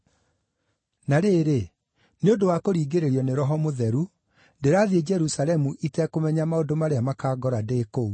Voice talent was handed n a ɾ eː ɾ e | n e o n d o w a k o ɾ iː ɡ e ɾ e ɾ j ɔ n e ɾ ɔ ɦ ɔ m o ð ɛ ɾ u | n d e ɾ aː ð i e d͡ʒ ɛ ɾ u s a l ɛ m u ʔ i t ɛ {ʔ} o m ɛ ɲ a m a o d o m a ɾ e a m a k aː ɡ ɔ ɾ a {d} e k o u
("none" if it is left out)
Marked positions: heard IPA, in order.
k, d

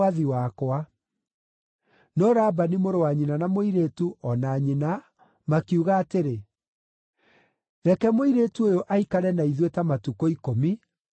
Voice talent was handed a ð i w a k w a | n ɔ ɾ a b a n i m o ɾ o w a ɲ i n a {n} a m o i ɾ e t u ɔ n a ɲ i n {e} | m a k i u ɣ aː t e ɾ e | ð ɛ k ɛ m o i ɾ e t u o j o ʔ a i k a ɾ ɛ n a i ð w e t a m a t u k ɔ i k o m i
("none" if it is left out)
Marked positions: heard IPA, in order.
n, a

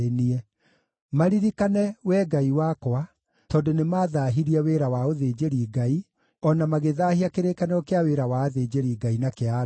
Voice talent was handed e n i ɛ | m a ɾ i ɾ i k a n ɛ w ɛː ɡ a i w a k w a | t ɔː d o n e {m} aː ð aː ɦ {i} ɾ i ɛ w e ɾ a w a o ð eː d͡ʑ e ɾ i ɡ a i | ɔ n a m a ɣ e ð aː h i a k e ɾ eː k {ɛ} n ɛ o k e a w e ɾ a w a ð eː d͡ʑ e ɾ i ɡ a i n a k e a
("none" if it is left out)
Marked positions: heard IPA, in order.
m, i, a

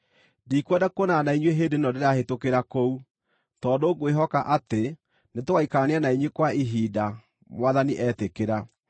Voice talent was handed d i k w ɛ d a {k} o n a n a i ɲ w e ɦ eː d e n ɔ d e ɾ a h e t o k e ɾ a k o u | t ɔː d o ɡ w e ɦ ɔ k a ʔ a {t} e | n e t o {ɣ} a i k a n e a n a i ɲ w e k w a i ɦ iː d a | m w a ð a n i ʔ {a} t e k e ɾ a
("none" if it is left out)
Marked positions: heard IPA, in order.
k, t, ɣ, ɛ

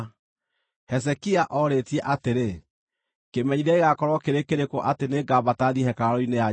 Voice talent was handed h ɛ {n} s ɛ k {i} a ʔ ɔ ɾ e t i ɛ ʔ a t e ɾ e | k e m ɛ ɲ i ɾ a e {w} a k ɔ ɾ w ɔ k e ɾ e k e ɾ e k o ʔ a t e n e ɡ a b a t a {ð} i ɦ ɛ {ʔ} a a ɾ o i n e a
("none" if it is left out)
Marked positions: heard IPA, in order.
none, i, ɣ, ð, k

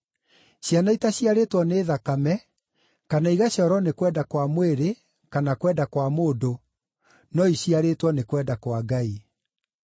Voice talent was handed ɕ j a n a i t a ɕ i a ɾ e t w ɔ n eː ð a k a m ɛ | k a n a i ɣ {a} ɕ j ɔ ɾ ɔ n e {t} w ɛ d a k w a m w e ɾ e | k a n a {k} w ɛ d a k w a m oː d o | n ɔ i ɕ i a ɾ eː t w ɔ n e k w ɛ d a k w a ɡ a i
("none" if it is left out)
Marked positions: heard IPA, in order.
a, k, k

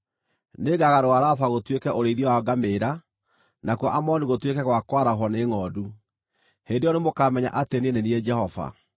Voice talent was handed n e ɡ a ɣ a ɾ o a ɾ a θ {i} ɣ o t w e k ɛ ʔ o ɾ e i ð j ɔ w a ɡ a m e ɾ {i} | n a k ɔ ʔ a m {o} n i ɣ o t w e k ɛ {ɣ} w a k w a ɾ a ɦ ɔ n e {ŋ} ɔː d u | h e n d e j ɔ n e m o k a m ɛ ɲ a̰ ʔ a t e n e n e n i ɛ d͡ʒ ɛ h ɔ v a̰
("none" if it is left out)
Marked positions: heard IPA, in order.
a, a, ɔ, ɣ, ŋ

